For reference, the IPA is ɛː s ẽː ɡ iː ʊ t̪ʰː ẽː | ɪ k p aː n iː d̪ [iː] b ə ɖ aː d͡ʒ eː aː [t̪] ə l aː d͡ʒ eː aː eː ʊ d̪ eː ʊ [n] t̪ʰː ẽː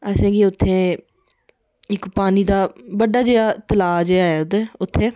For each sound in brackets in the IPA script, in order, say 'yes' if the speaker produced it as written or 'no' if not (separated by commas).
no, yes, no